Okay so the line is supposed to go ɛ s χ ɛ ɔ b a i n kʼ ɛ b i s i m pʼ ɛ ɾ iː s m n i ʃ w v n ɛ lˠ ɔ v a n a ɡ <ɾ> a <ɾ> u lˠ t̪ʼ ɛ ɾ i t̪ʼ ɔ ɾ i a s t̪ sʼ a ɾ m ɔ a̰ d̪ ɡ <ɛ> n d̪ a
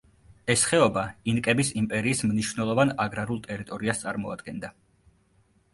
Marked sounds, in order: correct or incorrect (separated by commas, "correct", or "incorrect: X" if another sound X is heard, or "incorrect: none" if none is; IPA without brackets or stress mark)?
correct, correct, correct